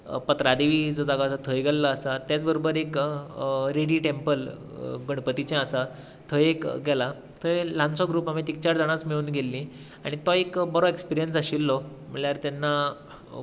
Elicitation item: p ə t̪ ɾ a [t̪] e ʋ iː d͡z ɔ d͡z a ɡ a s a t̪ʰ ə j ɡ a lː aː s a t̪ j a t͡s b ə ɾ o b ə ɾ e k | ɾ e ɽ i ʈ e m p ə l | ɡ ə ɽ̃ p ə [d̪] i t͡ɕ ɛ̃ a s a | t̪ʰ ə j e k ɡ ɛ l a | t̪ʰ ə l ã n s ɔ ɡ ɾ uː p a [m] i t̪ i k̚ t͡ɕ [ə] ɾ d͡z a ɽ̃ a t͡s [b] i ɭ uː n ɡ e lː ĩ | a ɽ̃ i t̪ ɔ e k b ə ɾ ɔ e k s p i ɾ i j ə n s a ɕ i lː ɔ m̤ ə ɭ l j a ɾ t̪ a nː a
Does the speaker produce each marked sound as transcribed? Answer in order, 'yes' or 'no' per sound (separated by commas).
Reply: no, no, yes, no, no